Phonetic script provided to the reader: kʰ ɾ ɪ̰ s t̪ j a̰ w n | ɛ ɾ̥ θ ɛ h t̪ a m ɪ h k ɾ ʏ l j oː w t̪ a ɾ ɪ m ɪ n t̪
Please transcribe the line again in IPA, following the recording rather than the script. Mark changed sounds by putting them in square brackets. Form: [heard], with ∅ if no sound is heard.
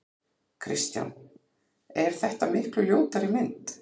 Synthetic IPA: kʰ ɾ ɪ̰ s t̪ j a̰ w n | ɛ ɾ̥ θ ɛ h t̪ a m ɪ h k [l] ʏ l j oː w t̪ a ɾ ɪ m ɪ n t̪